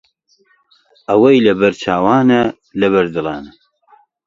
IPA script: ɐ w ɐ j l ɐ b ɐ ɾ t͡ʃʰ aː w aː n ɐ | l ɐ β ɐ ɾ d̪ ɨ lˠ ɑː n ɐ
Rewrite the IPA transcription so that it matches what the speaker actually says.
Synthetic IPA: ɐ w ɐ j l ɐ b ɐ ɾ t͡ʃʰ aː w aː n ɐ | l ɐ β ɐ ɾ d̪ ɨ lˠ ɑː n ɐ